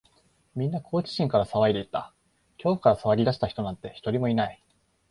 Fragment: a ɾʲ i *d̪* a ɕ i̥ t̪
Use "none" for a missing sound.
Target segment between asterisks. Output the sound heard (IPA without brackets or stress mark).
d̪